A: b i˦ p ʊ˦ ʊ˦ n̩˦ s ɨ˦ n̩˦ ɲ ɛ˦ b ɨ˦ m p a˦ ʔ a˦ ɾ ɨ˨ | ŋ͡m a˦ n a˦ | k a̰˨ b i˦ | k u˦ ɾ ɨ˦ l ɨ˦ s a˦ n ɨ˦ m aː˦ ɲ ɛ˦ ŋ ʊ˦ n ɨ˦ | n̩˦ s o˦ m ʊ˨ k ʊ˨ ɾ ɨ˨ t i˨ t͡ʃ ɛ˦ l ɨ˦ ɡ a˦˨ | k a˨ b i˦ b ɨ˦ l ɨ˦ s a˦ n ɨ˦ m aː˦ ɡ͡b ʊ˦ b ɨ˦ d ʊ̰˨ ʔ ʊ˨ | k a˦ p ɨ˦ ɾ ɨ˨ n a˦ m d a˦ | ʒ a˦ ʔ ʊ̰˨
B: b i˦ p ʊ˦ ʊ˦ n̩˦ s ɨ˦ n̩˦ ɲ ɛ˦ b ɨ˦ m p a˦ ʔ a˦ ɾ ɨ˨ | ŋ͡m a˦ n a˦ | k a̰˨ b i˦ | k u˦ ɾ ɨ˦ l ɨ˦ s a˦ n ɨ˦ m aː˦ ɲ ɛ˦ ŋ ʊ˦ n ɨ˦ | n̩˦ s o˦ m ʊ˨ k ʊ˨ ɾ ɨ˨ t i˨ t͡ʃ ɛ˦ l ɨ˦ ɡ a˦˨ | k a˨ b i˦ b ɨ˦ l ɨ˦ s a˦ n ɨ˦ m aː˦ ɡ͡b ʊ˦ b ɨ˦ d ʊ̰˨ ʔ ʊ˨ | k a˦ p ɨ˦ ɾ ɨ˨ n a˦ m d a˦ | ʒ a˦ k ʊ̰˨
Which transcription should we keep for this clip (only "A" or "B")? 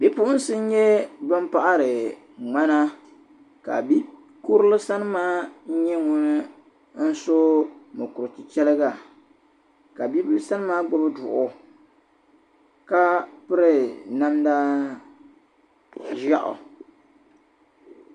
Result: A